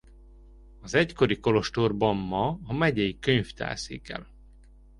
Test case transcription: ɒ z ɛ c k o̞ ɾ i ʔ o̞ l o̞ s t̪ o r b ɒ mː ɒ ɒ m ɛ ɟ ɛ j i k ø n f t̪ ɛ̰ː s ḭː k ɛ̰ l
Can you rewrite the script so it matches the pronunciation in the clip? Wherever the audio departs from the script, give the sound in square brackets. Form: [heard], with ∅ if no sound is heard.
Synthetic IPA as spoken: ɒ z ɛ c k o̞ ɾ i [k] o̞ l o̞ [ʃ] t̪ o r b ɒ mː ɒ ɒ m ɛ ɟ ɛ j i k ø [ɲ] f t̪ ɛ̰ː s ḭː k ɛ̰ l